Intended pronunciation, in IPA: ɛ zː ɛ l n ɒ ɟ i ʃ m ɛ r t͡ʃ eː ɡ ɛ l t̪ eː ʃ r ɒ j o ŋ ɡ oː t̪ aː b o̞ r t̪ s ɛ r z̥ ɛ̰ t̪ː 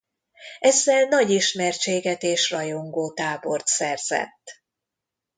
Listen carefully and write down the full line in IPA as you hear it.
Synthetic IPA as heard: ɛ zː ɛ l n ɒ ɟ i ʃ m ɛ r t͡ʃ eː ɡ ɛ t̪ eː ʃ r ɒ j o ŋ ɡ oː t̪ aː b o̞ r t̪ s ɛ r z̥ ɛ̰ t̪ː

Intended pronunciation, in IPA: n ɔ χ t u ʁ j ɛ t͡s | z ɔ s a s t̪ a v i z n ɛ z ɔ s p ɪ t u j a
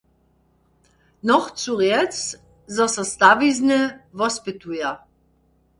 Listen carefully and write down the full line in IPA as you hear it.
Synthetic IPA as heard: n ɔ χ t͡s u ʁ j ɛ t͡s | z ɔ s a s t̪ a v i z n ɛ v ɔ s p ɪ t u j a

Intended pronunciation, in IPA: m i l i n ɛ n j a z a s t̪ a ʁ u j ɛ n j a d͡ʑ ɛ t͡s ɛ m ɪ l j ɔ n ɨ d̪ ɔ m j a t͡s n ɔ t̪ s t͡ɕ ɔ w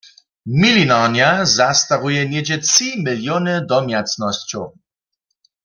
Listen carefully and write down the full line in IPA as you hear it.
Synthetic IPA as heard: m i l i n a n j a z a s t̪ a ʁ u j ɛ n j ɛ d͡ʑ ɛ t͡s i m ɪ l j ɔ n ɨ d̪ ɔ m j a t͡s n ɔ s t͡ɕ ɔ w

